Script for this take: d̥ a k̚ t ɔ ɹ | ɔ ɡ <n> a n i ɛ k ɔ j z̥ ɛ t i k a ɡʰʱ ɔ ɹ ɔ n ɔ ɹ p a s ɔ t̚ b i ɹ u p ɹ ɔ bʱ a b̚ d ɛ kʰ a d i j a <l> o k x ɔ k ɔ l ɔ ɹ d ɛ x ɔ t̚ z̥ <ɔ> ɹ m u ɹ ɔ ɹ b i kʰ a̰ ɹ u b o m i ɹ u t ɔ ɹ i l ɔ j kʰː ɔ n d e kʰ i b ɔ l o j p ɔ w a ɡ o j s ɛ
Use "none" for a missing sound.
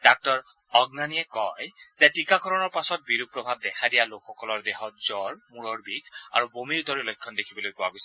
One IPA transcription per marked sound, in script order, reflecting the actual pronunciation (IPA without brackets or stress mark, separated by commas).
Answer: n, l, ɔ